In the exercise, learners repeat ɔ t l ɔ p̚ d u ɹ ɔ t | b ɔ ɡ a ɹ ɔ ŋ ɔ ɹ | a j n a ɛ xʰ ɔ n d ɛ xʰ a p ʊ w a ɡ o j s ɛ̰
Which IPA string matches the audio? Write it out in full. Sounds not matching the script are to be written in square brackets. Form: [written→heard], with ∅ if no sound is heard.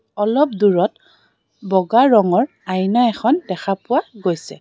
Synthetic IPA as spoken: ɔ [t→∅] l ɔ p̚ d u ɹ ɔ t | b ɔ ɡ a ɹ ɔ ŋ ɔ ɹ | a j n a ɛ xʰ ɔ n d ɛ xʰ a p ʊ w a ɡ o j s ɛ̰